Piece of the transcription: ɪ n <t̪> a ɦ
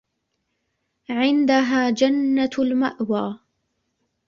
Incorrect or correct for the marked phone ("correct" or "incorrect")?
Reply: incorrect